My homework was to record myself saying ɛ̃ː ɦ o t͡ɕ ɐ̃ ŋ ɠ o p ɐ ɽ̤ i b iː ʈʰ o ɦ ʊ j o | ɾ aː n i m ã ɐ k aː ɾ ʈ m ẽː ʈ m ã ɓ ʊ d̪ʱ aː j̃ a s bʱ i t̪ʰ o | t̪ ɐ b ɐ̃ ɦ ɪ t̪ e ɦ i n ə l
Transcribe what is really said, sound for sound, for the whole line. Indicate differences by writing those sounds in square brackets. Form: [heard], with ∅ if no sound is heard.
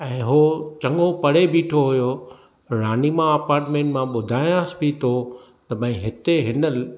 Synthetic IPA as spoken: ɛ̃ː ɦ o t͡ɕ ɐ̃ ŋ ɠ o p ɐ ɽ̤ [e] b iː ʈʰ o ɦ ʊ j o | ɾ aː n i m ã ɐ [p] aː ɾ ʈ m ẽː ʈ m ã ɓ ʊ d̪ʱ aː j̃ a s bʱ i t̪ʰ o | t̪ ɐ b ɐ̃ ɦ ɪ t̪ e ɦ [ɪ] n ə l